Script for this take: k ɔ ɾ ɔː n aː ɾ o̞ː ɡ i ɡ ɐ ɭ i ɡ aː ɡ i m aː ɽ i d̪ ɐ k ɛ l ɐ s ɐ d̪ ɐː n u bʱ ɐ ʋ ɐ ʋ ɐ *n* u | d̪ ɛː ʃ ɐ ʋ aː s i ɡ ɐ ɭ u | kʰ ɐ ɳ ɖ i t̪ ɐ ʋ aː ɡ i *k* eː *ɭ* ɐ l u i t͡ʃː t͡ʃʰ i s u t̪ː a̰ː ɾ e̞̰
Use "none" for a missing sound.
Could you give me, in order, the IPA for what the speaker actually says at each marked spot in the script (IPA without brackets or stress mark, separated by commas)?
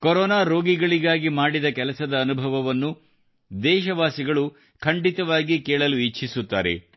nː, k, ɭ